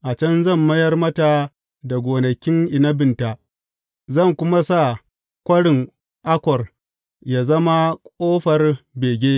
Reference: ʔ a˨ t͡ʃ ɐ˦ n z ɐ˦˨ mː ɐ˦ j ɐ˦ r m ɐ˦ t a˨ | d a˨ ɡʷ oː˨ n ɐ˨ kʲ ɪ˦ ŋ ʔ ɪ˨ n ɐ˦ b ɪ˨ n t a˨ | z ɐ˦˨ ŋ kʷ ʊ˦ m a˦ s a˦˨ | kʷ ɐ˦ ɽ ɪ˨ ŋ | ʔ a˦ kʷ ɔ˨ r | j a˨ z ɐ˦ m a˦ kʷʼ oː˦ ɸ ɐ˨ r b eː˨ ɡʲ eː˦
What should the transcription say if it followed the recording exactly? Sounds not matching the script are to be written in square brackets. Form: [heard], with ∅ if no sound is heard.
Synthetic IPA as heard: ʔ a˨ t͡ʃ ɐ˦ n z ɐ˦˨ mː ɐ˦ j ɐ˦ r m ɐ˦ t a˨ | d a˨ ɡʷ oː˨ n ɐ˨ kʲ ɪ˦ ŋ ʔ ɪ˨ n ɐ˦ b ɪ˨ n t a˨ | z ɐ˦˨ ŋ kʷ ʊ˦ m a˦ s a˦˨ | kʷ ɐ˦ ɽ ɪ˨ ŋ | ʔ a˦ kʷ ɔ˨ r | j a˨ z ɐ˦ m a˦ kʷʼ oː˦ ɸ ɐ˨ r b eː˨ ɡʲ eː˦